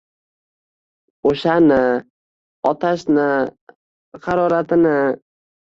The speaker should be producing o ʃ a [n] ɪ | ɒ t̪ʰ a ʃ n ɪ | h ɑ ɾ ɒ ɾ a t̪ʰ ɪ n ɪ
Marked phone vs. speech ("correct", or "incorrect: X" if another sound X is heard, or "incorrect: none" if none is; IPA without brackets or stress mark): correct